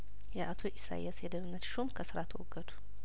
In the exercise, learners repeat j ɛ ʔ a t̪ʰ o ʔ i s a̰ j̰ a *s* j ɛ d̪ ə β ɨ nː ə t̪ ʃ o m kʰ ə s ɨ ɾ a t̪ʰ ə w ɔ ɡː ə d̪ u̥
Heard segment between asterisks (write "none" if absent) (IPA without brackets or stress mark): s